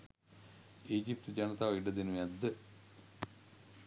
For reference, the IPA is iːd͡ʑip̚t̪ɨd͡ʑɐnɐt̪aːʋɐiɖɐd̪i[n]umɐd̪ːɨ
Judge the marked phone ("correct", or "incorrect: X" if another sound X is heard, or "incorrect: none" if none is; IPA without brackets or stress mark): correct